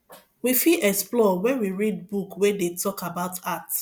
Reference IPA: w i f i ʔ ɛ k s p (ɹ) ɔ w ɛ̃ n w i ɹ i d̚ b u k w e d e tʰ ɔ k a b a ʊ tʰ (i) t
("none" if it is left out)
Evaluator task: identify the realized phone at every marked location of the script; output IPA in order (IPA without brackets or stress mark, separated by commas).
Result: l, a